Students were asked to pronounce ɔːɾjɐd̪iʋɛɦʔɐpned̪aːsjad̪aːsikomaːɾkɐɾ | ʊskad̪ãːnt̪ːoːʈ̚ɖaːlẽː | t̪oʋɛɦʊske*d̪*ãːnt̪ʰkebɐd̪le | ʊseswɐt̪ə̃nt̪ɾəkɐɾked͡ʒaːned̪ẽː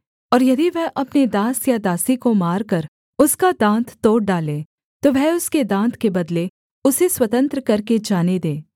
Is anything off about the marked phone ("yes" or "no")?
no